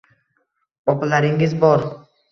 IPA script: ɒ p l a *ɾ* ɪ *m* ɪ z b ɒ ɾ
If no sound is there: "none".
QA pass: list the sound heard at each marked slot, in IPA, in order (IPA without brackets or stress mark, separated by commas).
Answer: ɾ, ŋ